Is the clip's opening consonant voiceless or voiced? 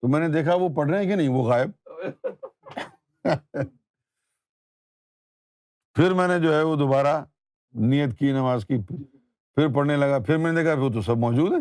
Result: voiceless